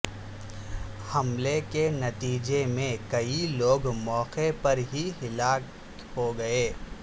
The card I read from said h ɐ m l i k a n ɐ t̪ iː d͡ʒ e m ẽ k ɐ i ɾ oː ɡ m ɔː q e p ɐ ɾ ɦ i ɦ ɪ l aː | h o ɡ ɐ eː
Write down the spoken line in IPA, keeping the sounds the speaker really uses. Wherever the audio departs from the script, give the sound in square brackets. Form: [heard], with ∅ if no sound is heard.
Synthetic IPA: h ɐ m l [e] k [e] n ɐ t̪ iː d͡ʒ e m ẽ k ɐ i [l] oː ɡ m ɔː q e p ɐ ɾ ɦ i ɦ ɪ l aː | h o ɡ ɐ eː